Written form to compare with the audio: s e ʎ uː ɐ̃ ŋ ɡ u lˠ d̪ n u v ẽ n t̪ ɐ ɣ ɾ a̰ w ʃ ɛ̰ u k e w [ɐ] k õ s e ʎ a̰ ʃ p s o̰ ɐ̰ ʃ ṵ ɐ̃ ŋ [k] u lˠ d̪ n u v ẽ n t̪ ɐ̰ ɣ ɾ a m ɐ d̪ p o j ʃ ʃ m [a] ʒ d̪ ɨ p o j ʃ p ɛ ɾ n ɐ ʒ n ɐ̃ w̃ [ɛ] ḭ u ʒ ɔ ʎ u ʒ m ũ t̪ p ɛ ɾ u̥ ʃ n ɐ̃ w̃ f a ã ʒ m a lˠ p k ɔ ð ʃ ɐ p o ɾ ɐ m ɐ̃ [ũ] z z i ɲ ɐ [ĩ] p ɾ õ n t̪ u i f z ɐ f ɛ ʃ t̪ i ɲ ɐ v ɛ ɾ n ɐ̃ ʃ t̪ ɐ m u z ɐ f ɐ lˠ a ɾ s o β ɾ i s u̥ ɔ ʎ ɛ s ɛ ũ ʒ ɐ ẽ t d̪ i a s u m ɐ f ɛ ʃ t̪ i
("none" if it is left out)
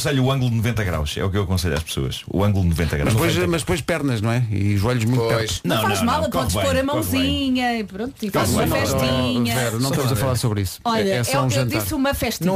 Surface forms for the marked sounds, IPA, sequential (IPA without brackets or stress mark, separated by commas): ɐ, ɡ, ɐ, ɛ, w̃, i